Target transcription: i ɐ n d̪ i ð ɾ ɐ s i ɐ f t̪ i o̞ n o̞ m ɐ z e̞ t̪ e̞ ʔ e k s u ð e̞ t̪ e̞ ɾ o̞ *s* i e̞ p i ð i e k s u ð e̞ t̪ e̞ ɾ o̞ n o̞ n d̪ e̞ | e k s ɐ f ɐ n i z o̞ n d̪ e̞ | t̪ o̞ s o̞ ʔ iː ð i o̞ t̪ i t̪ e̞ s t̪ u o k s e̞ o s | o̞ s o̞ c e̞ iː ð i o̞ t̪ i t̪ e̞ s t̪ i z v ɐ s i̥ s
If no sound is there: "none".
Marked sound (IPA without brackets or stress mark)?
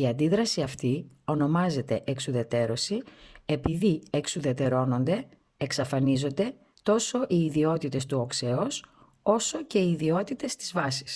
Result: s